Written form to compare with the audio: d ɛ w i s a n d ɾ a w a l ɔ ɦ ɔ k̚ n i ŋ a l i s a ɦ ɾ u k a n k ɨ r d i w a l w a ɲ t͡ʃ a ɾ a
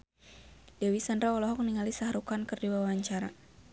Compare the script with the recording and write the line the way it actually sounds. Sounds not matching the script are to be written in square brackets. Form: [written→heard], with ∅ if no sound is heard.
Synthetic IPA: d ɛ w i s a n d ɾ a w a l ɔ ɦ ɔ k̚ n i ŋ a l i s a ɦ ɾ u k a n k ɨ r d i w a [l→∅] w a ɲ t͡ʃ a ɾ a